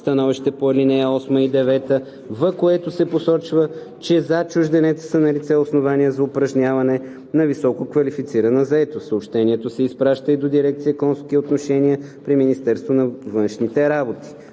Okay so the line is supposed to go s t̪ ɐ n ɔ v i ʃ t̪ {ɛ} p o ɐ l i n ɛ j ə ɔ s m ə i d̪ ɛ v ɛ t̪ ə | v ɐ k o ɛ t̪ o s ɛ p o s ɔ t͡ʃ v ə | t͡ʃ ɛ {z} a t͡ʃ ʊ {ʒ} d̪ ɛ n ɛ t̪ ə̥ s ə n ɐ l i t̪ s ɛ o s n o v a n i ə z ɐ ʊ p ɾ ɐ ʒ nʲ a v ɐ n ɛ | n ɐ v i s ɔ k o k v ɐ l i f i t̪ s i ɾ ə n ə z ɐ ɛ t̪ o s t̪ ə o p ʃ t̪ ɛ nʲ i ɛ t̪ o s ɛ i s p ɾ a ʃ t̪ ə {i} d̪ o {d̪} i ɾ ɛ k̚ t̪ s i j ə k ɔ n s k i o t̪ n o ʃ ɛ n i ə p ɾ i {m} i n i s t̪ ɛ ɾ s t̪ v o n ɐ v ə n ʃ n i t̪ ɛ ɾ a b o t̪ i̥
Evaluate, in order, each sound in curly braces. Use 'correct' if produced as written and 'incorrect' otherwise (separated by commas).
correct, correct, correct, correct, correct, correct